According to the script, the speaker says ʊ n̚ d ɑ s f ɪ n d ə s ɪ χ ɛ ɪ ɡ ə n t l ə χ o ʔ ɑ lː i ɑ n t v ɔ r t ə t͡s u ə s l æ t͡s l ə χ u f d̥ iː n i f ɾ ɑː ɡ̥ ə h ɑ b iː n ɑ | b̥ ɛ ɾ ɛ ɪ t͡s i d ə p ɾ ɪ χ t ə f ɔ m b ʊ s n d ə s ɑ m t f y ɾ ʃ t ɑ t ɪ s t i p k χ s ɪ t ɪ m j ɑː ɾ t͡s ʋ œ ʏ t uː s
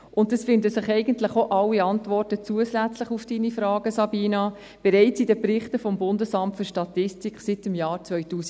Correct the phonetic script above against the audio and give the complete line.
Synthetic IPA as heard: ʊ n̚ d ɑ s f ɪ n d ə s ɪ χ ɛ ɪ ɡ ə n t l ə χ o ʔ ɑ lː i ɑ n t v ɔ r t ə t͡s u ə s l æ t͡s l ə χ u f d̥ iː n i f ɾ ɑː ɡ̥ ə s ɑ b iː n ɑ | b̥ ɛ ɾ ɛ ɪ t͡s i d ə p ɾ ɪ χ t ə f ɔ m b ʊ n d ə s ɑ m t f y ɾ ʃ t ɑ t ɪ s t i k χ s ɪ t ɪ m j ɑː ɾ t͡s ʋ œ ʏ t uː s